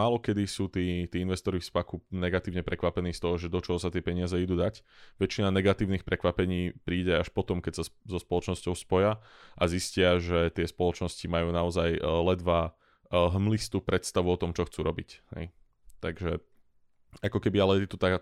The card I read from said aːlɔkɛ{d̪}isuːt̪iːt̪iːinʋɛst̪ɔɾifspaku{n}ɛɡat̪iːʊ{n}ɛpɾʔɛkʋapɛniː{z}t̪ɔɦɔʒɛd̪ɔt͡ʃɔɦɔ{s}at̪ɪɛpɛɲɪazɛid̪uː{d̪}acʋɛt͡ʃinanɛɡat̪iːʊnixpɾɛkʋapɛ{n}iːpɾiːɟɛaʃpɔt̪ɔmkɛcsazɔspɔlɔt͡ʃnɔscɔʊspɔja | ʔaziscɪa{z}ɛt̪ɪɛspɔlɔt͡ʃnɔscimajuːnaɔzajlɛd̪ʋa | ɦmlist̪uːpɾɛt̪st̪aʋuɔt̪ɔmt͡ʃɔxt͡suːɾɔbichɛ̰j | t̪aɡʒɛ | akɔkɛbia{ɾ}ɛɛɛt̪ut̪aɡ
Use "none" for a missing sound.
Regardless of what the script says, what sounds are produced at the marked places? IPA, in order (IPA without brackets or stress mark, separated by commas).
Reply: d̪, n, ɲ, s, s, d̪, ɲ, ʒ, l